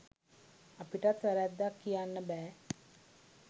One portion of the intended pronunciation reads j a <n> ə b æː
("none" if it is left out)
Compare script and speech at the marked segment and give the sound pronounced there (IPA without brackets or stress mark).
nː